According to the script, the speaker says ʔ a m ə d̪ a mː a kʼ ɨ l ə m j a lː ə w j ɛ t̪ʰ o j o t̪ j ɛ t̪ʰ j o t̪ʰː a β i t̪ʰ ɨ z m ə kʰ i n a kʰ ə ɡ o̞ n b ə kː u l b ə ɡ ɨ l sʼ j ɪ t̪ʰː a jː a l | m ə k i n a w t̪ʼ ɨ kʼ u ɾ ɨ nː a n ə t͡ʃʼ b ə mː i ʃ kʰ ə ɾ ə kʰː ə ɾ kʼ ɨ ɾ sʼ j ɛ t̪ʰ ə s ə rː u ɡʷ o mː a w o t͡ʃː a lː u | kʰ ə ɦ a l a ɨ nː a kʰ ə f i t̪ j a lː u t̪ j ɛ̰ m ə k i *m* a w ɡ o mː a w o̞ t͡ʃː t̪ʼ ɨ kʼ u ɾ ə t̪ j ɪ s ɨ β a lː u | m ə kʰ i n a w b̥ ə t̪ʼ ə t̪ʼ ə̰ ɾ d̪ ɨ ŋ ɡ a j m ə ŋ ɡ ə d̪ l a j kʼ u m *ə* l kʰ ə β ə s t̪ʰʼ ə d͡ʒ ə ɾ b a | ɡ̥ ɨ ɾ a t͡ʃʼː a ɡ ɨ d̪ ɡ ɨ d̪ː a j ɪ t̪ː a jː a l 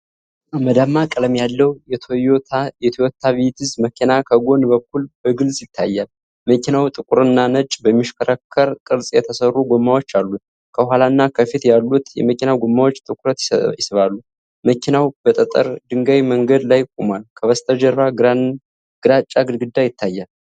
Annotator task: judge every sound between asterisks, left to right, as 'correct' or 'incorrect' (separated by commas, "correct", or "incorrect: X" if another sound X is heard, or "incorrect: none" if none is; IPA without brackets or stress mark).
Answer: incorrect: n, incorrect: a